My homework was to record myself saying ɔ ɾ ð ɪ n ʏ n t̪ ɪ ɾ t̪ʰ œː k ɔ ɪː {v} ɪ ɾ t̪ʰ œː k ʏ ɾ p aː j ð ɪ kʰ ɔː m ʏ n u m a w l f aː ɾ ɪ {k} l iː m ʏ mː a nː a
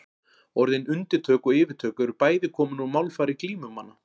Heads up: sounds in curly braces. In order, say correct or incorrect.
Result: correct, correct

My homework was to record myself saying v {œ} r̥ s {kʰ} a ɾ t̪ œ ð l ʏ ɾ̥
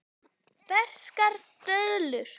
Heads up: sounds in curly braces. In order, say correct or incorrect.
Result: incorrect, incorrect

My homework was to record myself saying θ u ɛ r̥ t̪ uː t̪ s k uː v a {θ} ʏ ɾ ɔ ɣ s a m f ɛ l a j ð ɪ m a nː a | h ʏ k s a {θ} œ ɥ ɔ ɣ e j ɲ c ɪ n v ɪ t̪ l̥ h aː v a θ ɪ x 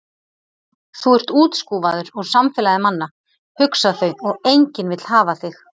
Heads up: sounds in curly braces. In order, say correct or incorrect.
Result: incorrect, correct

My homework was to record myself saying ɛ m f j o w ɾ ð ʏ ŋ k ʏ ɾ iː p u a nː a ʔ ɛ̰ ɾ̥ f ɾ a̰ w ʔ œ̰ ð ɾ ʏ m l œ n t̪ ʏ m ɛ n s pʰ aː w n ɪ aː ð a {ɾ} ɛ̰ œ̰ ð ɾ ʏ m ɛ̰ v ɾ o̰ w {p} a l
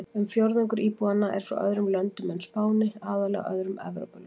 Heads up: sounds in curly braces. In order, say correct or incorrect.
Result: incorrect, correct

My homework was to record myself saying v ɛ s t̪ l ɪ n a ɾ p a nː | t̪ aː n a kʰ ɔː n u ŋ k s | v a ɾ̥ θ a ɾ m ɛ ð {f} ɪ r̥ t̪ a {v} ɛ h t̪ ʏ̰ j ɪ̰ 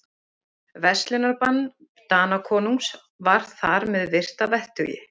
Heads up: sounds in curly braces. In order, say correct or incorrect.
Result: incorrect, correct

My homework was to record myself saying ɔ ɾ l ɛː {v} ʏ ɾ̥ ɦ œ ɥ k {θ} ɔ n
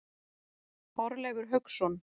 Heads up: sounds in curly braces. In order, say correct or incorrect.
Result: incorrect, incorrect

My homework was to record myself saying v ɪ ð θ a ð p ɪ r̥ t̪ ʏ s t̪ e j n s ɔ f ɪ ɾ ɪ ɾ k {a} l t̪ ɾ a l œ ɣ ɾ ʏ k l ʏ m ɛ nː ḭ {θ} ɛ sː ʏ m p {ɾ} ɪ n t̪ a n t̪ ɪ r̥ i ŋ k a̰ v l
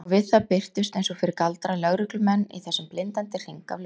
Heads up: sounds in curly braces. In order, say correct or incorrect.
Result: correct, correct, incorrect

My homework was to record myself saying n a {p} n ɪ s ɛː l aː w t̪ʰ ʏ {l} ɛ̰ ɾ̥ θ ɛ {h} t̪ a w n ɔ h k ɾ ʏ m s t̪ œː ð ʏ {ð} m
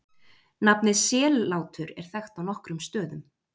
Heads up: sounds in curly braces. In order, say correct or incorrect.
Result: correct, incorrect, incorrect, incorrect

